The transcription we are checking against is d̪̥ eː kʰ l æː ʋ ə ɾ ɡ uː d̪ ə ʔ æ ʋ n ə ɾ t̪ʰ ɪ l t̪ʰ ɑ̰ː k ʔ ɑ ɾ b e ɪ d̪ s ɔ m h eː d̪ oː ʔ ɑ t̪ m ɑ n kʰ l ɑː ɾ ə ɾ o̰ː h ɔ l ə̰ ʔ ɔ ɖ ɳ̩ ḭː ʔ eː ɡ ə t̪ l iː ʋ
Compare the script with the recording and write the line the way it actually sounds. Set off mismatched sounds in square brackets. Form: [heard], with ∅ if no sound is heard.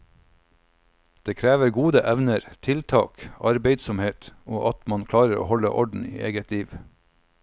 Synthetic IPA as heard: d̪̥ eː kʰ [ɾ] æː ʋ ə ɾ ɡ uː d̪ ə ʔ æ ʋ n ə ɾ t̪ʰ ɪ l t̪ʰ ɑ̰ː k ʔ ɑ ɾ b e ɪ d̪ s ɔ m h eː [t̪] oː ʔ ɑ t̪ m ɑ n kʰ l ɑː ɾ ə ɾ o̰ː h ɔ l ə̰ ʔ ɔ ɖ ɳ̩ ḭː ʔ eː ɡ ə t̪ l iː ʋ